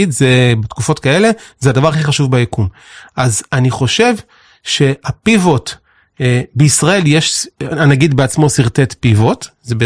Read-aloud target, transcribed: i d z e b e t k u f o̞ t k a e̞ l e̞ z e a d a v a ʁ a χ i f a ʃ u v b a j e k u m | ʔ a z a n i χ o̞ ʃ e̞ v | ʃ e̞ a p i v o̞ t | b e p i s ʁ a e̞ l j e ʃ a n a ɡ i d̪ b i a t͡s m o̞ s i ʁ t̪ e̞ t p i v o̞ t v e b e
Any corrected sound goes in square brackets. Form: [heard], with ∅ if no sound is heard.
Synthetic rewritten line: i d z e b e t k u f o̞ t k a e̞ l e̞ z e a d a v a ʁ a χ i [χ] a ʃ u v b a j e k u m | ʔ a z a n i χ o̞ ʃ e̞ v | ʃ e̞ a p i v o̞ t | b e [∅] i s ʁ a e̞ l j e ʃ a n a ɡ i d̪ b [e] a t͡s m o̞ s i ʁ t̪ e̞ t p i v o̞ t [z] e b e